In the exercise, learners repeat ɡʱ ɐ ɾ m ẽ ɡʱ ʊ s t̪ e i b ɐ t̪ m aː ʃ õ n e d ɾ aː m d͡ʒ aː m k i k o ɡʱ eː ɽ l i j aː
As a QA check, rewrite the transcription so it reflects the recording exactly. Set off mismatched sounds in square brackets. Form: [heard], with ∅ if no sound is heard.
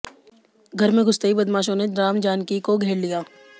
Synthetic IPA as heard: ɡʱ ɐ ɾ m ẽ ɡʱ ʊ s t̪ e i b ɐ [d̪] m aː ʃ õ n e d ɾ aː m d͡ʒ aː [n] k i k o ɡʱ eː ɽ l i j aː